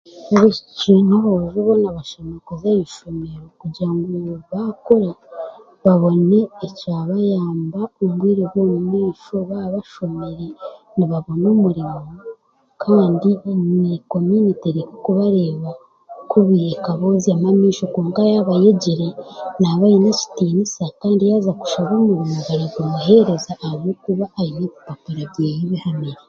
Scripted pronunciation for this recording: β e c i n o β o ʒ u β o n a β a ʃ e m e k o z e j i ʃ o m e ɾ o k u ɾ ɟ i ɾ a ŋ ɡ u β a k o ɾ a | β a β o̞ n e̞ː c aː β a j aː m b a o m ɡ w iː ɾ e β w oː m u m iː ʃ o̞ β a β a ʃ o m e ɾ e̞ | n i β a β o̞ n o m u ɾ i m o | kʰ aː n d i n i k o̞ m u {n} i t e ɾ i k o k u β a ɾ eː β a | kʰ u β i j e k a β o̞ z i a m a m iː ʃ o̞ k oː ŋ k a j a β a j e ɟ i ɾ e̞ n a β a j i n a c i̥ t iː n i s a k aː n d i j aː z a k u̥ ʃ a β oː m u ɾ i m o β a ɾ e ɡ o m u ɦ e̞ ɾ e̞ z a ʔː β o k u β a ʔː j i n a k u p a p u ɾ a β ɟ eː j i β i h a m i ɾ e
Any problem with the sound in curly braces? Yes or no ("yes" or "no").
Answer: no